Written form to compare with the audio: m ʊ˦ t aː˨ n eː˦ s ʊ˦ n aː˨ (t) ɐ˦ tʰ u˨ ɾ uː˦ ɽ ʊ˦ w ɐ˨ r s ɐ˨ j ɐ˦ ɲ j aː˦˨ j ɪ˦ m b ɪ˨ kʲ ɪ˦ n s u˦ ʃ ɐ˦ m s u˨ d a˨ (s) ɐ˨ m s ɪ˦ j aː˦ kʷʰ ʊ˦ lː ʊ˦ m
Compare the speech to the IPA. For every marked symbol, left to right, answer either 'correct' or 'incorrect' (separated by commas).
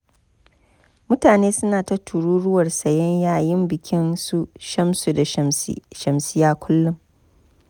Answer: correct, incorrect